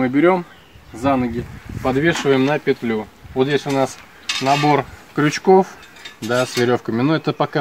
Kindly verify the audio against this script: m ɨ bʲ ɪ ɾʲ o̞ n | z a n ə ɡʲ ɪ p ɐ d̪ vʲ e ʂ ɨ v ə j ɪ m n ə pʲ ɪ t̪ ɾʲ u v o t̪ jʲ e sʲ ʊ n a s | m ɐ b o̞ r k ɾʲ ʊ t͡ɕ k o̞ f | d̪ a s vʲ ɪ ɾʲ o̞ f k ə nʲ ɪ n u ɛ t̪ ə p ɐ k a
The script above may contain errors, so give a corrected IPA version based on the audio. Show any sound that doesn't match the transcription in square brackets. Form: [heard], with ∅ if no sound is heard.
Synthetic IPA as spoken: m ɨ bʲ ɪ ɾʲ o̞ [m] | z a n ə ɡʲ ɪ p ɐ d̪ vʲ e ʂ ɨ v ə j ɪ m n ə pʲ ɪ t̪ [lʲ] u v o t̪ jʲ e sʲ ʊ n a s | [n] ɐ b o̞ r k ɾʲ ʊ t͡ɕ k o̞ f | d̪ a s vʲ ɪ ɾʲ o̞ f k ə [mʲ] ɪ n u ɛ t̪ ə p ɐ k a